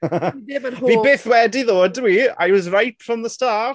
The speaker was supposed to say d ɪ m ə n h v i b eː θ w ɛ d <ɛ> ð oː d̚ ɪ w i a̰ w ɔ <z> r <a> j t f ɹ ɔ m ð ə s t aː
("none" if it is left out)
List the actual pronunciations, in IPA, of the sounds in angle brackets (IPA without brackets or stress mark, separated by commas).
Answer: i, z, a